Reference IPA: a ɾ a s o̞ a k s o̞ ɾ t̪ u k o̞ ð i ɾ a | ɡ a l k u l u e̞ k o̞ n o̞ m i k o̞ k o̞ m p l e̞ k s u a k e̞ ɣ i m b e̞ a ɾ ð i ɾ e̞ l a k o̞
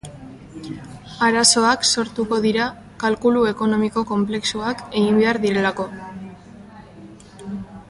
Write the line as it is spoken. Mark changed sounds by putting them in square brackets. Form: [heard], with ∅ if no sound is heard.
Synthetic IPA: a ɾ a s o̞ a k s o̞ ɾ t̪ u k o̞ ð i ɾ a | [k] a l k u l u e̞ k o̞ n o̞ m i k o̞ k o̞ m p l e̞ k s u a k e̞ ɣ i m b e̞ a ɾ ð i ɾ e̞ l a k o̞